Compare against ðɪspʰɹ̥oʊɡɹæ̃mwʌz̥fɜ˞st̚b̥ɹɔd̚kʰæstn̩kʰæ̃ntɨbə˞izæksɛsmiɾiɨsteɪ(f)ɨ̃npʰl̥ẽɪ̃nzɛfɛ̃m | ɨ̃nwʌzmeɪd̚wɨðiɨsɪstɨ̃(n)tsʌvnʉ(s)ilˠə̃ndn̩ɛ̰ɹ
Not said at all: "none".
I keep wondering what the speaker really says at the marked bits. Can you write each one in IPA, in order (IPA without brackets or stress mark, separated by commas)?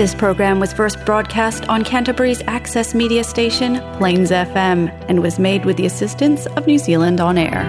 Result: ʃ, n, z